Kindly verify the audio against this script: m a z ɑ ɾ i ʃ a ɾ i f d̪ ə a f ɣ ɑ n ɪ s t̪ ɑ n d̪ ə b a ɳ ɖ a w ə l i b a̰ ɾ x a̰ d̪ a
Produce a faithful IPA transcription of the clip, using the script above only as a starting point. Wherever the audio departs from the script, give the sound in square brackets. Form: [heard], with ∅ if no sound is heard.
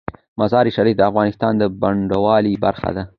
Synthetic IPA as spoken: m a z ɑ ɾ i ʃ a ɾ i f d̪ ə a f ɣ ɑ n ɪ s t̪ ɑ n d̪ ə b a ɳ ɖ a w [ɑ] l i b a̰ ɾ x a̰ d̪ a